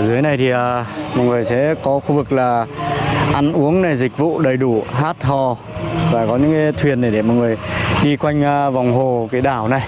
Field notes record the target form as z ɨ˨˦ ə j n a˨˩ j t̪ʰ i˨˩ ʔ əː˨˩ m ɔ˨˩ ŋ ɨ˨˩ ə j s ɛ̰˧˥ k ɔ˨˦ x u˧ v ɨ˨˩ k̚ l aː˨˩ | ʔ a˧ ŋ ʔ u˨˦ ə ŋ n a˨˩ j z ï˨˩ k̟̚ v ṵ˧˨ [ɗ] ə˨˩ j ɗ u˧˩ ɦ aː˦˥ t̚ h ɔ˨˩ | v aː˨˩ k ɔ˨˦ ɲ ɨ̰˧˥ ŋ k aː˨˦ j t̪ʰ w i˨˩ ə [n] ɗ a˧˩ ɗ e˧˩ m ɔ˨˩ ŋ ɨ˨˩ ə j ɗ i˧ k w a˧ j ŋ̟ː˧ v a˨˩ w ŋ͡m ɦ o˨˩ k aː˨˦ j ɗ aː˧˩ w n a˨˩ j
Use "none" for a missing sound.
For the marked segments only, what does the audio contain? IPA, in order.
ɗ, n

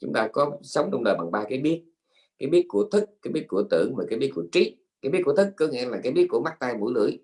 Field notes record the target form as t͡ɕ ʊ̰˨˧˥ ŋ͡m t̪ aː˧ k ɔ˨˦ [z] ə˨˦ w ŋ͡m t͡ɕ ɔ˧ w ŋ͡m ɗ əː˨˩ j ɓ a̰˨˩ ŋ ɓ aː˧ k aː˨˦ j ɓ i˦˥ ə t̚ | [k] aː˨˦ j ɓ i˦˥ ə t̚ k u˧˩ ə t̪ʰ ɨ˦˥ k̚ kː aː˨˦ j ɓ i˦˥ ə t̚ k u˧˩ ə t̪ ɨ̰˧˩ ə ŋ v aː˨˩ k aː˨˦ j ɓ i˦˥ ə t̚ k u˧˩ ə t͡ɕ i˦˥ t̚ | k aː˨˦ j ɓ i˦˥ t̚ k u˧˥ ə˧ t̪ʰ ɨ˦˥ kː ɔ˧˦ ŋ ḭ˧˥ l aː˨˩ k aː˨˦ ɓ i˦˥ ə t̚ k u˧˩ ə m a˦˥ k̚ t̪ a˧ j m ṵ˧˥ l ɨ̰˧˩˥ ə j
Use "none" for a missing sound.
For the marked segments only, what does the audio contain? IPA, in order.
s, k

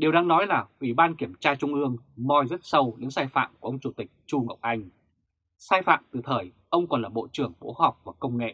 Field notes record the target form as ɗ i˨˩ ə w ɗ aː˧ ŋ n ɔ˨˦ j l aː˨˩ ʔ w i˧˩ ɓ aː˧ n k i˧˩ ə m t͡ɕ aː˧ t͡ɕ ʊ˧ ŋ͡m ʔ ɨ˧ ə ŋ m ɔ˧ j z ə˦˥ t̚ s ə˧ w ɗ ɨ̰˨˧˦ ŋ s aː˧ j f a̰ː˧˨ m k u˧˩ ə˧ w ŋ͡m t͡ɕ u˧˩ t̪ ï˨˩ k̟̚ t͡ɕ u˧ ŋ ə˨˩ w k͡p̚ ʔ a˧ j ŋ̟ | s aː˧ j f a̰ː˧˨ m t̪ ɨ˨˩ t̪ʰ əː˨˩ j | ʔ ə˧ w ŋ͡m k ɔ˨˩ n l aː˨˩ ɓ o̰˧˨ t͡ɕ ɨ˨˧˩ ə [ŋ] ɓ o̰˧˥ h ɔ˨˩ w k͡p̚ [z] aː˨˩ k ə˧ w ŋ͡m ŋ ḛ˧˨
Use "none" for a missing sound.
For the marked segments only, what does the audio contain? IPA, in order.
ŋ, v

